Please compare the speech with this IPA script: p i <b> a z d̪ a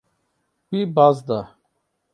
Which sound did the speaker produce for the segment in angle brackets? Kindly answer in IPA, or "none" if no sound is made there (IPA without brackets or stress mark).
b